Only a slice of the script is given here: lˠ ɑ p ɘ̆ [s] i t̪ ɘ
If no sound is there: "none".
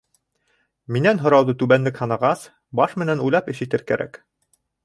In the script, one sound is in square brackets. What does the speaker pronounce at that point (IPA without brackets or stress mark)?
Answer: ʃ